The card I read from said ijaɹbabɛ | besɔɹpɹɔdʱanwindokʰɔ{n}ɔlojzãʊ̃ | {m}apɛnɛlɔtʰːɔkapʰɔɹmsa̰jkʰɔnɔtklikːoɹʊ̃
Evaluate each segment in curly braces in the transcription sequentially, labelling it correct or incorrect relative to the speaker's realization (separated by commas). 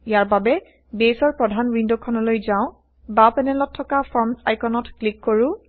correct, incorrect